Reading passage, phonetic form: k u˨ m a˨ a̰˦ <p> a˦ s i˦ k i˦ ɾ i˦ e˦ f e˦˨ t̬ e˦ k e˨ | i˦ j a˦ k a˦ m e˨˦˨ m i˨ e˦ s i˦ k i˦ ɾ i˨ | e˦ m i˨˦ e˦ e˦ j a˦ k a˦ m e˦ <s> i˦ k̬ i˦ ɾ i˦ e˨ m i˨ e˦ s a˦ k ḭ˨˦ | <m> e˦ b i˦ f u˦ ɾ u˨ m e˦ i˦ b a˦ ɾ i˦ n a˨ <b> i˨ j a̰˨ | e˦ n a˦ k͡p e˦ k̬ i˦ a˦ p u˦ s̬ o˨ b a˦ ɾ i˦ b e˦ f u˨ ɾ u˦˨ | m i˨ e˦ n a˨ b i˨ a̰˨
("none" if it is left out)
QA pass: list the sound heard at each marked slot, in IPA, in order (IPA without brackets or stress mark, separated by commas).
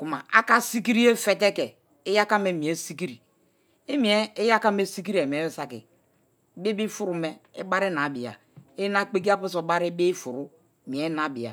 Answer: k, s, b, b